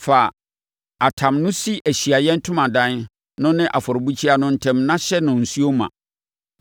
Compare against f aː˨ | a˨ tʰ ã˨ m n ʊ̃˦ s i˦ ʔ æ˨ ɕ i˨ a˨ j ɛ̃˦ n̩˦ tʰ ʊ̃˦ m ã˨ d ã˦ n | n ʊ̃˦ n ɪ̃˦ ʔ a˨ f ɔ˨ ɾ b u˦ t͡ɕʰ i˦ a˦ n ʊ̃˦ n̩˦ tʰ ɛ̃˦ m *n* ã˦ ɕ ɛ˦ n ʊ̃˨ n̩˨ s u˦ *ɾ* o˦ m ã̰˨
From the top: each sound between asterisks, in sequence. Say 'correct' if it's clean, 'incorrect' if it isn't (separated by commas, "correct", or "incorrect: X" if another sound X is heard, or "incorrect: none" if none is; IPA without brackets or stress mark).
correct, incorrect: none